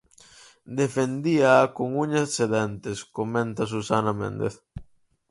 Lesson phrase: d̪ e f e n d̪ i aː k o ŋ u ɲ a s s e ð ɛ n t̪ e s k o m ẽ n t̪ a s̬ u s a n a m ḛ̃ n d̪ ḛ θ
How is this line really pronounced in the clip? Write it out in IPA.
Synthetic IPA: d̪ e f e n d̪ i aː k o ŋ u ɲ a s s e ð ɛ n t̪ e s k o m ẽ n t̪ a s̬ u s a n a m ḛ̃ n d̪ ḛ θ